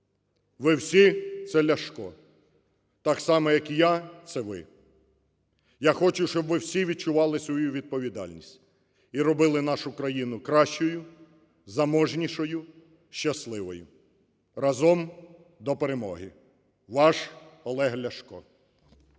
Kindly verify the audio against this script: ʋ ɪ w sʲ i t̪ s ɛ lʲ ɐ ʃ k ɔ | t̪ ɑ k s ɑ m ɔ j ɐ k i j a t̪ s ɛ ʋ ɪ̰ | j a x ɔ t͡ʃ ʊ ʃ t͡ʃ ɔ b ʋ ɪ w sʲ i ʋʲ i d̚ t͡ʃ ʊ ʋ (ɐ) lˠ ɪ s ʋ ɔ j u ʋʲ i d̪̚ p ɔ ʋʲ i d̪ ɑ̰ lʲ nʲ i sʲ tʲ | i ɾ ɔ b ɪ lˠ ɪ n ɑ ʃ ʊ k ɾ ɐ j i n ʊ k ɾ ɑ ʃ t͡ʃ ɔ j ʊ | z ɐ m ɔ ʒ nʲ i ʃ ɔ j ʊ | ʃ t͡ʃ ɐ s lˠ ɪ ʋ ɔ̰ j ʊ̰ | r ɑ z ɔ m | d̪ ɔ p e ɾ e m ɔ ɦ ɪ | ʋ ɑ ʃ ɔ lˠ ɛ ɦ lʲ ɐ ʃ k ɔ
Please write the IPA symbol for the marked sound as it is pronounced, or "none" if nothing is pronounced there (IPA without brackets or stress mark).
ɑ